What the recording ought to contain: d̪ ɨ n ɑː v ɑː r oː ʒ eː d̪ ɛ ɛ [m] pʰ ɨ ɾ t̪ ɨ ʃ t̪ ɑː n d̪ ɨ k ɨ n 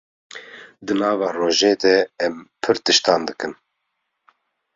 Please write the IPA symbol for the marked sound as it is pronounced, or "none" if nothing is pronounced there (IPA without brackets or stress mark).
m